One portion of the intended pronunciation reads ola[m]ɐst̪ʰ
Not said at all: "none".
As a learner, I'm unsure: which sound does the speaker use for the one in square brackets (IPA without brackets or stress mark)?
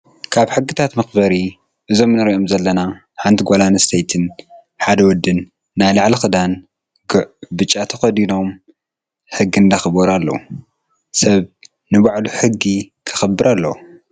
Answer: n